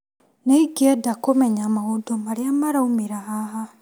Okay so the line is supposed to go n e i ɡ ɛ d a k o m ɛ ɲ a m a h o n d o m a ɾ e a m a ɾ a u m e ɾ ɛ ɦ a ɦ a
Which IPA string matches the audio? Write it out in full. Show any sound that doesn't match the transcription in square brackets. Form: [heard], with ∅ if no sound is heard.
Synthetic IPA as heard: n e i ɡ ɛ d a k o m ɛ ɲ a m a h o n d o m a ɾ e a m a ɾ a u m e ɾ [a] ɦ a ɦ a